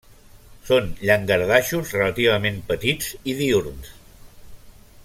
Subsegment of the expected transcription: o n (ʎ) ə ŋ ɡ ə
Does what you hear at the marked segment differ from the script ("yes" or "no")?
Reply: no